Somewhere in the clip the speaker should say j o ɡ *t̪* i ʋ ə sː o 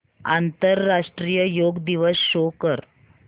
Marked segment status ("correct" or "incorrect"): incorrect